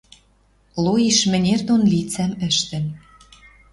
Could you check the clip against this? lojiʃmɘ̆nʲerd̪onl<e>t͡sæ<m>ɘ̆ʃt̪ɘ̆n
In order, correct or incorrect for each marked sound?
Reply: incorrect: i, correct

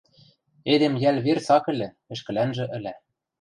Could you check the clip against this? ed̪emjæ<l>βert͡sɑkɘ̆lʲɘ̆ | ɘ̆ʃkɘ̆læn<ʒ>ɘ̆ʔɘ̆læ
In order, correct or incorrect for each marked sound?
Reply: correct, correct

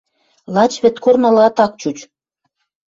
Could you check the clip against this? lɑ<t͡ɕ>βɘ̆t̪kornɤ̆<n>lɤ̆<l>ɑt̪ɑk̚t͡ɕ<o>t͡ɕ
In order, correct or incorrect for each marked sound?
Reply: correct, incorrect: none, incorrect: none, incorrect: u

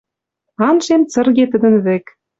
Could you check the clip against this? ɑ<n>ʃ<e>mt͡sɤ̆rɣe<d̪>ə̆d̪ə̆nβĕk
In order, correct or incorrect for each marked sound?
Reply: correct, correct, incorrect: t̪

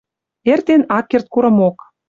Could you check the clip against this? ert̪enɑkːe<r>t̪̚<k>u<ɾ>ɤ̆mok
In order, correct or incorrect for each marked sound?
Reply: correct, correct, correct

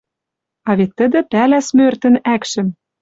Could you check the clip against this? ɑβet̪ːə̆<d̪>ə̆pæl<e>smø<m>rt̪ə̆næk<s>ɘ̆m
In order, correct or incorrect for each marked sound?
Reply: correct, incorrect: æ, incorrect: none, incorrect: ʃ

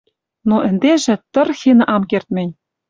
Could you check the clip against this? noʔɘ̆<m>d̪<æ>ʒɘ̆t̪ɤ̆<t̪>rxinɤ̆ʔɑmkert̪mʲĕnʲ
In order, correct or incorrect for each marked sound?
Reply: incorrect: n, incorrect: e, incorrect: none

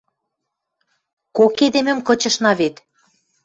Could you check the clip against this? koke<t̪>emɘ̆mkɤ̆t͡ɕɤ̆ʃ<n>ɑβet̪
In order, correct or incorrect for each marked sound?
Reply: incorrect: d̪, correct

